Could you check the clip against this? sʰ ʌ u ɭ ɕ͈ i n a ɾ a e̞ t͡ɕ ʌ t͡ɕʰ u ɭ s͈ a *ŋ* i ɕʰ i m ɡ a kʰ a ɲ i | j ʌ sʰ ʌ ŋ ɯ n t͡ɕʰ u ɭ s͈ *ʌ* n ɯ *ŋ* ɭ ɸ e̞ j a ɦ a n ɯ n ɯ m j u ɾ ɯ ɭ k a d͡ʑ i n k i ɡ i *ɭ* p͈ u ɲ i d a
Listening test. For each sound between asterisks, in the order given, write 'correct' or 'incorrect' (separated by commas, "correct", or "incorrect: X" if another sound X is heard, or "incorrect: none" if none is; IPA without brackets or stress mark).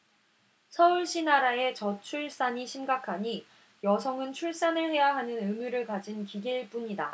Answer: incorrect: ɲ, incorrect: a, incorrect: none, correct